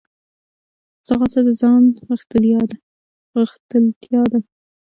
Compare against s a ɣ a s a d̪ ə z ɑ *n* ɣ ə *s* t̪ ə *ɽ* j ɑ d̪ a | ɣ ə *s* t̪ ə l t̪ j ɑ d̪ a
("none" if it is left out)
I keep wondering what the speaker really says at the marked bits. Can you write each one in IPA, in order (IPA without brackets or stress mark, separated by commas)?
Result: n, x, l, x